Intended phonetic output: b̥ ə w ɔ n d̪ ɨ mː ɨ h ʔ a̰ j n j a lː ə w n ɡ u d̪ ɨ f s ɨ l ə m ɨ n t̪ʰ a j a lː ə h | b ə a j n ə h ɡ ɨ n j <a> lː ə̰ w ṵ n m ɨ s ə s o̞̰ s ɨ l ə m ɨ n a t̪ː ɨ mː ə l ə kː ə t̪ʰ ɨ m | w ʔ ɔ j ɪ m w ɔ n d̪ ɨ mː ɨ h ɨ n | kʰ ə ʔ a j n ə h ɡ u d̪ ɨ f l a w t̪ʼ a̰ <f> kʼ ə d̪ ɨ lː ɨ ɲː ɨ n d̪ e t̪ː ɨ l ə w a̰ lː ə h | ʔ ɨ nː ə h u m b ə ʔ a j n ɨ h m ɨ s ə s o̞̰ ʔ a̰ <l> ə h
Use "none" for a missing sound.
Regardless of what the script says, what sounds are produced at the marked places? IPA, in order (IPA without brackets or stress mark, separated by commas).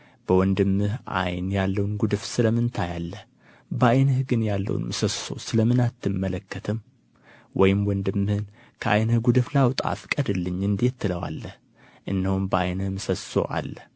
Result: a, f, lː